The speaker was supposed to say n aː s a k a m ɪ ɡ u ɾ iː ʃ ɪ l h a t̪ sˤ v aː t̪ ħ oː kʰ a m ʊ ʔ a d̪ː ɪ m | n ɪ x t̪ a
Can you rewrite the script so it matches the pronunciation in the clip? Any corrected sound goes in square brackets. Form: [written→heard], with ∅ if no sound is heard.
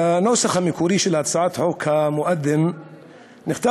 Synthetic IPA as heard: n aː s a [k→x] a m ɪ [ɡ→k] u ɾ iː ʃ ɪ l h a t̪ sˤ [v→ʕ] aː t̪ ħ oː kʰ a m ʊ ʔ a d̪ː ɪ m | n ɪ x t̪ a

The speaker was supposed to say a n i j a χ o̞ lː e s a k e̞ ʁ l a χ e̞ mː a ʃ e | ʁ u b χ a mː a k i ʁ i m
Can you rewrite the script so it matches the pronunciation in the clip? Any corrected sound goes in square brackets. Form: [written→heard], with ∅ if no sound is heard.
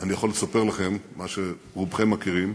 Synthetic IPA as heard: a n i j a χ o̞ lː e s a [k→p] e̞ ʁ l a χ e̞ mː a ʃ e | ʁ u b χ [a→e] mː a k i ʁ i m

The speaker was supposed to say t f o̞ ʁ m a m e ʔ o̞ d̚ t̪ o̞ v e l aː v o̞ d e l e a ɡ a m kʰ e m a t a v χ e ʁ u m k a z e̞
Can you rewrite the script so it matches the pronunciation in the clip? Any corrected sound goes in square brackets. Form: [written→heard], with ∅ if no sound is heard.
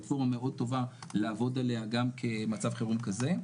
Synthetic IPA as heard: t f o̞ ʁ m a m e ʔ o̞ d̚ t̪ o̞ v [e→a] l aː v o̞ d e l e a ɡ a m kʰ e m a [t→t͡s] a v χ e ʁ u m k a z e̞

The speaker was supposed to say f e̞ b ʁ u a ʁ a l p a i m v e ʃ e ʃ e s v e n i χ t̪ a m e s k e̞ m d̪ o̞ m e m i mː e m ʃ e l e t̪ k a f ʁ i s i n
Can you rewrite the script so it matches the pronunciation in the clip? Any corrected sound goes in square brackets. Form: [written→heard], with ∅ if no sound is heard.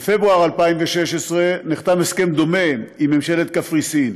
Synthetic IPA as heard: f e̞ b ʁ u a ʁ a l p a i m v e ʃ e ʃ e s [v→ʁ] e n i χ t̪ a m e s k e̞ m d̪ o̞ m e m i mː e m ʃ e l e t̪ k a f ʁ i s i n

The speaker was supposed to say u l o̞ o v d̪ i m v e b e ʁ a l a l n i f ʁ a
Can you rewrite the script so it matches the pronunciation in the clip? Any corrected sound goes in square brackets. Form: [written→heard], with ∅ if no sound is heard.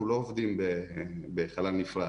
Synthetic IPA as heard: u l o̞ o v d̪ i m [v→b] e b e [ʁ→χ] a l a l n i f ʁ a

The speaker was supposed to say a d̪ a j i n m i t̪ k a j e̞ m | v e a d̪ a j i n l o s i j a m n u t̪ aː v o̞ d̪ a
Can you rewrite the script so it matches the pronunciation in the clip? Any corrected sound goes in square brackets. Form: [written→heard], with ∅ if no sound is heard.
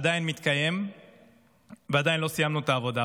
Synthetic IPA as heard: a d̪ a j i n m i t̪ k a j e̞ m | v e a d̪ a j i n l o s i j a m n u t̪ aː v o̞ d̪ a

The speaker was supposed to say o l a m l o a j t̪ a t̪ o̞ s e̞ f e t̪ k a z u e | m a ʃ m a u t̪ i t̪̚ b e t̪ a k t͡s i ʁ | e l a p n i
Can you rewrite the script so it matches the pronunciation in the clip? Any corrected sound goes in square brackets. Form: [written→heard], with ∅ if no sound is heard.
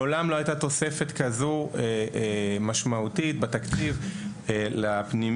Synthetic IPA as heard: o l a m l o a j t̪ a t̪ o̞ s e̞ f e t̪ k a z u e | m a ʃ m a u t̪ i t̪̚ b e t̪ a k t͡s i [ʁ→v] | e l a p n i

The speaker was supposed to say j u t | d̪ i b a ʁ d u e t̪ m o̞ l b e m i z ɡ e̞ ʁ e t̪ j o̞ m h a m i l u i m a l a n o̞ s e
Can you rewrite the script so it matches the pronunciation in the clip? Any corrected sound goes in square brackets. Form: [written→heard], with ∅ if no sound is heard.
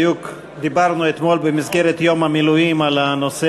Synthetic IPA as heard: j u [t→k] | d̪ i b a ʁ [d→n] u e t̪ m o̞ l b e m i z ɡ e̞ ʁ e t̪ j o̞ m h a m i l u i m a l a n o̞ s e

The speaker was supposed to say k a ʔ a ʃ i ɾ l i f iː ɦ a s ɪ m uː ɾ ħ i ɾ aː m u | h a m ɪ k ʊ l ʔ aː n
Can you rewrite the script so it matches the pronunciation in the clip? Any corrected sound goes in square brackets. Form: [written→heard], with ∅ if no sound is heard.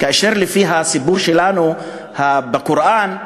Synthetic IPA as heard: k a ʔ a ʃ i ɾ l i f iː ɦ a s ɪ [m→b] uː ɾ [ħ→ʃ] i [ɾ→l] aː [m→n] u | h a [m→b] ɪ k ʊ [l→ɾ] ʔ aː n

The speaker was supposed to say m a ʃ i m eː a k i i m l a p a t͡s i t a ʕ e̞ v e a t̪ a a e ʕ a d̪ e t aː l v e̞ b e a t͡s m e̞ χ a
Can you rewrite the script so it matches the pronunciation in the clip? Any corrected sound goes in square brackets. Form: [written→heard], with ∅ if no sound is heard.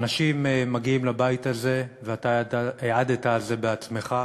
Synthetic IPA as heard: [m→n] a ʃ i m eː a [k→ɡ] i i m l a [p→b] a [t͡s→∅] i t a [ʕ→z] e̞ v e a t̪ a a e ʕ a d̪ e t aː l [v→z] e̞ b e a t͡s m e̞ χ a

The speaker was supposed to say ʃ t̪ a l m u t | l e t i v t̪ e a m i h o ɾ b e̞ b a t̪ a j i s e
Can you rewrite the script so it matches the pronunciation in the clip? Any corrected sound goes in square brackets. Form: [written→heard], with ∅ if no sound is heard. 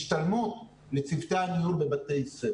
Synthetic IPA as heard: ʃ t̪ a l m u t | l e [t→t͡s] i v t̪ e a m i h [o→u] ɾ b e̞ b a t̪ [a→e] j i s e

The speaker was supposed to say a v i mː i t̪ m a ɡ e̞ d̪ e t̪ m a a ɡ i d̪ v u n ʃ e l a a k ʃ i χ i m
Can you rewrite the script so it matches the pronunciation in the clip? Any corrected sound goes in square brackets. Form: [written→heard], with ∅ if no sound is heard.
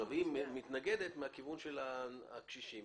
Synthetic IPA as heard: a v i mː i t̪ [m→n] a ɡ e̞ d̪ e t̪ m [a→e] a [ɡ→k] i [d̪→∅] v u n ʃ e l a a k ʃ i [χ→ʃ] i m

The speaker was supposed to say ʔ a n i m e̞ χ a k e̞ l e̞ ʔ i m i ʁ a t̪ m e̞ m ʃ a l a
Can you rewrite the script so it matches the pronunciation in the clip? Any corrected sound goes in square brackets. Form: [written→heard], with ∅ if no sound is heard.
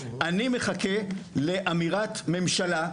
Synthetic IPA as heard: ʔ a n i m e̞ χ a k e̞ l e̞ ʔ [i→a] m i ʁ a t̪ m e̞ m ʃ a l a

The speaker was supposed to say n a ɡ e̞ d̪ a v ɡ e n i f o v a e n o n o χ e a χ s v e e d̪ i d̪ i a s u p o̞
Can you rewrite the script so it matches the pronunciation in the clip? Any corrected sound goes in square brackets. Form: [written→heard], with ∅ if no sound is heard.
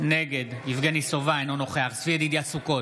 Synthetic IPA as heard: n [a→e] ɡ e̞ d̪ [a→i] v ɡ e n i [f→s] o v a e n o n o χ e a χ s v [e→i] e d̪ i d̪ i a s u [p→k] o̞

